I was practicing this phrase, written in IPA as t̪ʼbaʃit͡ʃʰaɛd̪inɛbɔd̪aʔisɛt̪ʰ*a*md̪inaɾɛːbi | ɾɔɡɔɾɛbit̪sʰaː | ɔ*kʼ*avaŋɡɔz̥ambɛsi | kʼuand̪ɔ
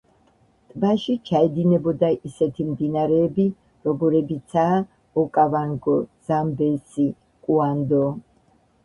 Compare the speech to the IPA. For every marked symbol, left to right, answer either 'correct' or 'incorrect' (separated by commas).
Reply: incorrect, correct